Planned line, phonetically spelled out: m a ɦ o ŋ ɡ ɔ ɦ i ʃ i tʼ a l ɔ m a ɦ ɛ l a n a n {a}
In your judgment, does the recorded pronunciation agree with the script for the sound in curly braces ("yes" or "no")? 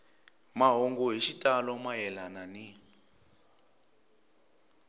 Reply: no